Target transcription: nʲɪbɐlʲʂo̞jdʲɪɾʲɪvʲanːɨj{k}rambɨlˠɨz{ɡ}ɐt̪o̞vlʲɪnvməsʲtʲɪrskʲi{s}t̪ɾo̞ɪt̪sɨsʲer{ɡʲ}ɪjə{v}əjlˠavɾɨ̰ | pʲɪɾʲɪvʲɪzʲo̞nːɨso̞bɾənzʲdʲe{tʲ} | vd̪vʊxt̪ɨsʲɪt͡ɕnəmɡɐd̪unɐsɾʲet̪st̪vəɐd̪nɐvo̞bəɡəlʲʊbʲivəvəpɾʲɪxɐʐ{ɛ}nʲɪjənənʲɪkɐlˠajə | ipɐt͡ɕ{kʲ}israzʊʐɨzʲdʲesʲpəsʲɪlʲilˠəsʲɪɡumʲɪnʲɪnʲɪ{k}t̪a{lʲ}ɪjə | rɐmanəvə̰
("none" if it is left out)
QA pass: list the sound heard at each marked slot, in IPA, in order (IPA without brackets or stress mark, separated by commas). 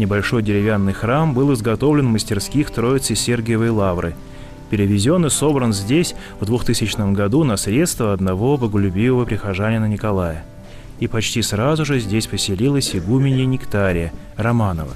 x, ɡ, x, ɡʲ, v, sʲ, a, tʲ, k, ɾʲ